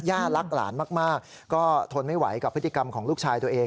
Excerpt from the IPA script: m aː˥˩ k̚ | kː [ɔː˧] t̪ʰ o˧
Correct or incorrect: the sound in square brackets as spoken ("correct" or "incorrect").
incorrect